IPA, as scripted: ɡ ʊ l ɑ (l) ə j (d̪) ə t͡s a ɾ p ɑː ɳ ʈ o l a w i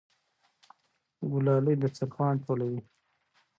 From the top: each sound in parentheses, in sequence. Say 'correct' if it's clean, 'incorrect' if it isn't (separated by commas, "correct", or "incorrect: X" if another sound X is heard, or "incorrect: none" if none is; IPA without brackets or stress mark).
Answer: correct, correct